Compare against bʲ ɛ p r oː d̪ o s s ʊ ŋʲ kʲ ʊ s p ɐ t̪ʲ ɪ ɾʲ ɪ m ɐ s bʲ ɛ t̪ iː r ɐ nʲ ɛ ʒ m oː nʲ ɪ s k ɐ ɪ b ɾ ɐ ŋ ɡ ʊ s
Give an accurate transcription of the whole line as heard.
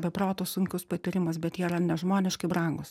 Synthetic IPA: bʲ ɛ p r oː t̪ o s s ʊ ŋʲ kʲ ʊ s p ɐ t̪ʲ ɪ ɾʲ ɪ m ɐ s bʲ ɛ t̪ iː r ɐ nʲ ɛ ʒ m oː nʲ ɪ ʃ k ɐ ɪ b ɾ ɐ ŋ ɡ ʊ s